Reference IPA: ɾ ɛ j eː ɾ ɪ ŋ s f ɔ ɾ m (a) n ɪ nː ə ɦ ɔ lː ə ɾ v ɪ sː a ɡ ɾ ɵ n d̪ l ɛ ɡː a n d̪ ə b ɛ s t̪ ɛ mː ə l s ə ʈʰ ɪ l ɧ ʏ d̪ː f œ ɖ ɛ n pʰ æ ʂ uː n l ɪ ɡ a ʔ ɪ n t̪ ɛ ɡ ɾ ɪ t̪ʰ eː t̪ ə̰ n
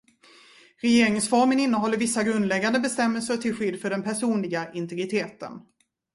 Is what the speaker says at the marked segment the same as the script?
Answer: no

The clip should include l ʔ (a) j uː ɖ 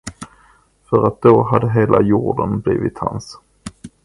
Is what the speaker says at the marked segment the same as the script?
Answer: yes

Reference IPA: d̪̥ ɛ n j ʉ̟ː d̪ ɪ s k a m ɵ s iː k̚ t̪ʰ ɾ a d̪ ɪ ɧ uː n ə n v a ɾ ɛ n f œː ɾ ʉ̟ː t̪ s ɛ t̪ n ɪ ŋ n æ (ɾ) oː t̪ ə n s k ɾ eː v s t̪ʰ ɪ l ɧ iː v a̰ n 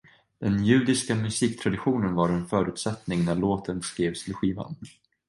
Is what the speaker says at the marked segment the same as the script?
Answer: no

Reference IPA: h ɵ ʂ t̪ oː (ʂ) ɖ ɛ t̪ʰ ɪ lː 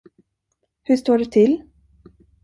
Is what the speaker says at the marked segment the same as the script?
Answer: no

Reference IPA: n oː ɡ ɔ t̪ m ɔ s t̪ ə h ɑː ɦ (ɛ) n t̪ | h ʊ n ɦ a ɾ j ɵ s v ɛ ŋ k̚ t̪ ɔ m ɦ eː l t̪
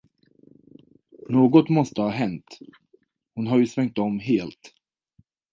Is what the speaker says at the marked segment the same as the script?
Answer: yes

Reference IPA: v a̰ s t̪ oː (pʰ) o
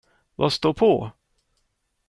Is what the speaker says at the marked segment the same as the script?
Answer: yes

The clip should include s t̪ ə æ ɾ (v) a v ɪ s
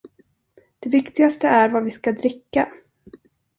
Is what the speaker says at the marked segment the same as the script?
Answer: yes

